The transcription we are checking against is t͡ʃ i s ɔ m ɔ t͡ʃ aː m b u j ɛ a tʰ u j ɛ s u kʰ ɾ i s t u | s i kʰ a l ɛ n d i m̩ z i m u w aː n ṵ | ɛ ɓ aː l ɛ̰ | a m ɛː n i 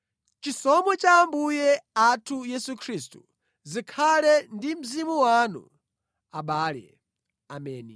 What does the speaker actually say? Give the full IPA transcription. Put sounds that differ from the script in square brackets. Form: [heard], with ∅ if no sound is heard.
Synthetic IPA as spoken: t͡ʃ i s ɔ m ɔ t͡ʃ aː m b u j ɛ a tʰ u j ɛ s u kʰ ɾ i s t u | [z] i kʰ a l ɛ n d i m̩ z i m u w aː n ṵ | [a] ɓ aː l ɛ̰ | a m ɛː n i

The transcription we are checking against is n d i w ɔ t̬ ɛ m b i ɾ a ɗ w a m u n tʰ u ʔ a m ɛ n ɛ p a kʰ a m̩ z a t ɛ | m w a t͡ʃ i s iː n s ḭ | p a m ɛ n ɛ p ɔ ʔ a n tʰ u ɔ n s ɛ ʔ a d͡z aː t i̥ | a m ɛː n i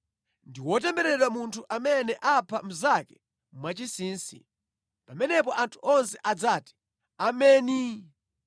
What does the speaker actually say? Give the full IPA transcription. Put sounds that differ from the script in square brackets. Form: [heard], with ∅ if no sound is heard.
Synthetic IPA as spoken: n d i w ɔ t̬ ɛ m b [ɛ] ɾ [ɛ] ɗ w a m u n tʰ u ʔ a m ɛ n ɛ [ʔ] a [pʰ] a m̩ z a [k] ɛ | m w a t͡ʃ i s iː n s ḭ | p a m ɛ n ɛ p ɔ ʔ a n tʰ u ɔ n s ɛ ʔ a d͡z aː t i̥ | a m ɛː n i

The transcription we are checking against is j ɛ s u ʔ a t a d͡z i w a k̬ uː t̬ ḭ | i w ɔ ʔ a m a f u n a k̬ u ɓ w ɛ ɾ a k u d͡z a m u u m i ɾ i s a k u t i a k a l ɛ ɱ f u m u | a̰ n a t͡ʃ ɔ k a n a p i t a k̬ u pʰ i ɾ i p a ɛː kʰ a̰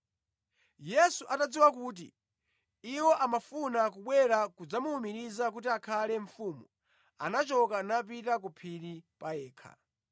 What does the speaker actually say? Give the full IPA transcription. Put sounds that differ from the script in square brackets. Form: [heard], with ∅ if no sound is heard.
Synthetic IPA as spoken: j ɛ s u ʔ a t a d͡z i w a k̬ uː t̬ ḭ | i w ɔ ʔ a m a f u n a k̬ u ɓ w ɛ ɾ a k u d͡z a m u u m i ɾ i [z] a k u t i a [kʰ] a l ɛ ɱ f u m u | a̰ n a t͡ʃ ɔ k a n a p i t a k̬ u pʰ i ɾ i p a ɛː kʰ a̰

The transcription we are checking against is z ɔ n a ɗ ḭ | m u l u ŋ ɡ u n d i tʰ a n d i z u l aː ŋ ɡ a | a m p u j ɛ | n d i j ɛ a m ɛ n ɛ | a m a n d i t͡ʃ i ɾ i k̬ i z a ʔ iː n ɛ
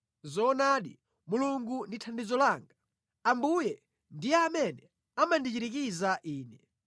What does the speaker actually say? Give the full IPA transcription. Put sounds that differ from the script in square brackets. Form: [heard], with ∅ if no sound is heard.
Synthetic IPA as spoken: z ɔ n a ɗ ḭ | m u l u ŋ ɡ u n d i tʰ a n d i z [ɔ] l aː ŋ ɡ a | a m [b] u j ɛ | n d i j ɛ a m ɛ n ɛ | a m a n d i t͡ʃ i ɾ i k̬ i z a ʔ iː n ɛ

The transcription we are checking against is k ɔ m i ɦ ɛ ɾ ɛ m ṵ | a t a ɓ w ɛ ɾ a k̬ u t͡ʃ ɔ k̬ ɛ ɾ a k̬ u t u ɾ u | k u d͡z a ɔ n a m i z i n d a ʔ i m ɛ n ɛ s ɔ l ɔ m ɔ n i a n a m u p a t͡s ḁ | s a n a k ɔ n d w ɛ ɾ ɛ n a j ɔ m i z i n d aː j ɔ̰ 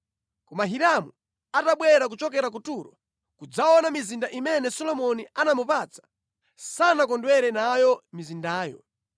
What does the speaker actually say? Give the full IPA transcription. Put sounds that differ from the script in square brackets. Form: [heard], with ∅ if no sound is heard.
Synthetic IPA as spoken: k ɔ m [a] ɦ [i] ɾ [a] m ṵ | a t a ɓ w ɛ ɾ a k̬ u t͡ʃ ɔ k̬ ɛ ɾ a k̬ u t u ɾ [ɔ] | k u d͡z a ɔ n a m i z i n d a ʔ i m ɛ n ɛ s ɔ l ɔ m ɔ n i a n a m u p a t͡s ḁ | s a n a k ɔ n d w ɛ ɾ ɛ n a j ɔ m i z i n d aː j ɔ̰

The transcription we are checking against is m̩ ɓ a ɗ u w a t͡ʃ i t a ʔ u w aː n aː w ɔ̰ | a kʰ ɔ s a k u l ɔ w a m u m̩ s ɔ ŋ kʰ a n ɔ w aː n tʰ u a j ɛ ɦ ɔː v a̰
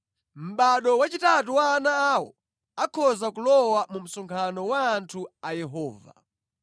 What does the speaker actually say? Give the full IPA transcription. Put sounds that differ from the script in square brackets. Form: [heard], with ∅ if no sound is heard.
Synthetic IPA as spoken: m̩ ɓ a ɗ [ɔ] w a t͡ʃ i t a [t] u w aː n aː w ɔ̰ | a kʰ ɔ [z] a k u l ɔ w a m u m̩ s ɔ ŋ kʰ a n ɔ w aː n tʰ u a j ɛ ɦ ɔː v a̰

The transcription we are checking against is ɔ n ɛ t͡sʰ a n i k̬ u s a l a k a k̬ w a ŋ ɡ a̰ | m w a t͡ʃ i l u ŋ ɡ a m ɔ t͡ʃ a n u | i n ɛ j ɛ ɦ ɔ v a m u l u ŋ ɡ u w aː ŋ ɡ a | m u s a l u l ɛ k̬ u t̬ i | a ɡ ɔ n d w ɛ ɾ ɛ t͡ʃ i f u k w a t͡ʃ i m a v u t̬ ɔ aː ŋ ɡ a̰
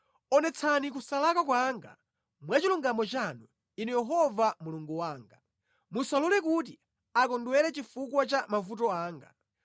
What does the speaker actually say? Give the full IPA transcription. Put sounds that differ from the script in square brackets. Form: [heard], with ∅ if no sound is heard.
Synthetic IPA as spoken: ɔ n ɛ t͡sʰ a n i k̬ u s a l a k a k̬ w a ŋ ɡ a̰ | m w a t͡ʃ i l u ŋ ɡ a m ɔ t͡ʃ a n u | i n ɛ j ɛ ɦ ɔ v a m u l u ŋ ɡ u w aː ŋ ɡ a | m u s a l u l ɛ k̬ u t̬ i | a [k] ɔ n d w ɛ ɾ ɛ t͡ʃ i f u k w a t͡ʃ [a] m a v u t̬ ɔ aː ŋ ɡ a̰

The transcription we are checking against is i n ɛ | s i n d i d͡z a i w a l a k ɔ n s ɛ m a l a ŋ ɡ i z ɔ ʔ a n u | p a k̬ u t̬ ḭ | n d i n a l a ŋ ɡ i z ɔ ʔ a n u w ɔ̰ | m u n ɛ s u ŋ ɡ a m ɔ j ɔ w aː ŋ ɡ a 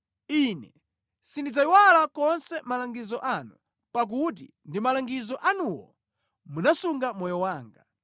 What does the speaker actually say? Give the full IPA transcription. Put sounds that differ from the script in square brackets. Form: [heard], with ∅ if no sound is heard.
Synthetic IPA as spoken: i n ɛ | s i n d i d͡z a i w a l a k ɔ n s ɛ m a l a ŋ ɡ i z ɔ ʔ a n u | p a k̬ u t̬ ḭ | n d i [m] a l a ŋ ɡ i z ɔ ʔ a n u w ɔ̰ | m u n [a] s u ŋ ɡ a m ɔ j ɔ w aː ŋ ɡ a

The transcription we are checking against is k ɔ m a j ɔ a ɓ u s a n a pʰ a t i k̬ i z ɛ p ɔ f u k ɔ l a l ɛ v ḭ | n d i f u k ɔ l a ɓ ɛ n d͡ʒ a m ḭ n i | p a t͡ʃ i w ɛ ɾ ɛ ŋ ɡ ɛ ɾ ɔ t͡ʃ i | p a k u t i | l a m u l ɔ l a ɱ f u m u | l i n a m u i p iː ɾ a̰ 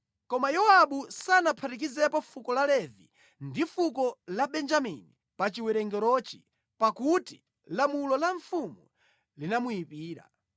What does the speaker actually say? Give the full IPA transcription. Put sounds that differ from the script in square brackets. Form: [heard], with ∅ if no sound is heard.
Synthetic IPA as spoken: k ɔ m a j ɔ a ɓ u s a n a pʰ a t i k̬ i z ɛ p ɔ f u k ɔ l a l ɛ v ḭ | n d i f u k ɔ l a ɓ ɛ n d͡ʒ a m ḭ n i | p a t͡ʃ i w ɛ ɾ ɛ ŋ ɡ ɛ ɾ ɔ t͡ʃ i | p a k u t i | l a m u l ɔ l a ɱ f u m u | l i n a m u i p iː ɾ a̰

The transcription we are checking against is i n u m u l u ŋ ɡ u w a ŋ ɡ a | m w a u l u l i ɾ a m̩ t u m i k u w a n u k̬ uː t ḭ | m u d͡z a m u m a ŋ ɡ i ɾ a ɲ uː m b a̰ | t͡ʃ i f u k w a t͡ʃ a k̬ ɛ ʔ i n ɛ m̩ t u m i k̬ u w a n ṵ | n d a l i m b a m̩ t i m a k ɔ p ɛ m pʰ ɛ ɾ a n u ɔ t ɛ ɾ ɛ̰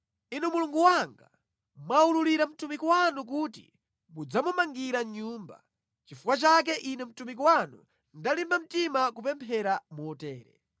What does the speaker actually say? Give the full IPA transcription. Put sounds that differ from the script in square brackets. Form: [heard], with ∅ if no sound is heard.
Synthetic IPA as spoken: i n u m u l u ŋ ɡ u w a ŋ ɡ a | m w a u l u l i ɾ a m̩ t u m i k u w a n u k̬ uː t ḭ | m u d͡z a m u m a ŋ ɡ i ɾ a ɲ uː m b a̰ | t͡ʃ i f u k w a t͡ʃ a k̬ ɛ ʔ i n ɛ m̩ t u m i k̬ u w a n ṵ | n d a l i m b a m̩ t i m a k [u] p ɛ m pʰ ɛ ɾ a [m] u ɔ t [ɛː] ɾ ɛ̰

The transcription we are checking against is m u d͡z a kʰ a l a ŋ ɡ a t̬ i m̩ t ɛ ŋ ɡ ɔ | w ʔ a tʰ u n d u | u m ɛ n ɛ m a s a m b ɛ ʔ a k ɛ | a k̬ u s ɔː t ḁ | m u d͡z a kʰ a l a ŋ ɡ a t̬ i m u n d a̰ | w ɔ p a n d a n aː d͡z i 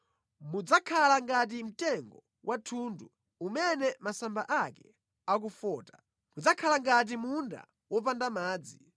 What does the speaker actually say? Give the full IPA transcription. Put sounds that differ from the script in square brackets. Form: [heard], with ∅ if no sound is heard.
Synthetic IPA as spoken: m u d͡z a kʰ a l a ŋ ɡ a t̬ i m̩ t ɛ ŋ ɡ ɔ | w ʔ a tʰ u n d u | u m ɛ n ɛ m a s a m b [a] ʔ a k ɛ | a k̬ u [f] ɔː t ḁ | m u d͡z a kʰ a l a ŋ ɡ a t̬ i m u n d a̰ | w ɔ p a n d a [m] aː d͡z i

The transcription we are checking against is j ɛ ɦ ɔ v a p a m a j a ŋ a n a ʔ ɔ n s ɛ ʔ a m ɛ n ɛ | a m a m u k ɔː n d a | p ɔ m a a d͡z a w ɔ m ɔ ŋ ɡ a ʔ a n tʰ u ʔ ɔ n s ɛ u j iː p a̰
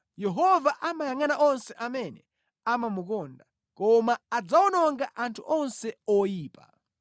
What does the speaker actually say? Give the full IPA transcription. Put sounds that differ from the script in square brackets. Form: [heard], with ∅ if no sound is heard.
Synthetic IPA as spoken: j ɛ ɦ ɔ v a [ʔ] a m a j a ŋ a n a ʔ ɔ n s ɛ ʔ a m ɛ n ɛ | a m a m u k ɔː n d a | [k] ɔ m a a d͡z a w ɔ [n] ɔ ŋ ɡ a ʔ a n tʰ u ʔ ɔ n s ɛ [ɔ] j iː p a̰

